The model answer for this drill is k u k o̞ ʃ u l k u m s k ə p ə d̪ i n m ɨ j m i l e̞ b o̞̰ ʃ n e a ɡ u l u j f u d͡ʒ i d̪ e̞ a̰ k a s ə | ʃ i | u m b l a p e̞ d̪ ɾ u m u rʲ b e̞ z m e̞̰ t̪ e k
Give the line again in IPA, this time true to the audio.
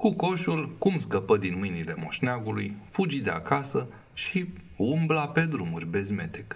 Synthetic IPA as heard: k u k o̞ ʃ u l k u m s k ə p ə d̪ i n m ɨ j n i l e̞ m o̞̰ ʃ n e a ɡ u l u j f u d͡ʒ i d̪ e̞ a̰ k a s ə | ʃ i | u m b l a p e̞ d̪ ɾ u m u rʲ b e̞ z m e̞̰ t̪ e k